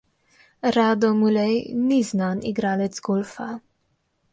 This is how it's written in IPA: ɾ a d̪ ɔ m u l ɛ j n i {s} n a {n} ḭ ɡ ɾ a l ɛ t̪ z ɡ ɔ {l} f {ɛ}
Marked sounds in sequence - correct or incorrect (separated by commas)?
incorrect, correct, correct, incorrect